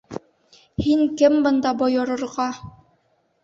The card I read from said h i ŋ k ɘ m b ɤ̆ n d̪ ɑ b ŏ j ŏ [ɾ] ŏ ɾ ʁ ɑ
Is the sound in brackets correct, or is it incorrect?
correct